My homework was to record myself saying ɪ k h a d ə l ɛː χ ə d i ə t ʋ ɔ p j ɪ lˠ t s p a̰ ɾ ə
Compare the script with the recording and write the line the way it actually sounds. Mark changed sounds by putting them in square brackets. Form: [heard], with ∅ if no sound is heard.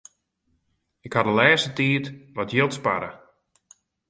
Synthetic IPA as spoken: ɪ k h a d ə l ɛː [s] ə [t] i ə t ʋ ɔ [t] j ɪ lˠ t s p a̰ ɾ ə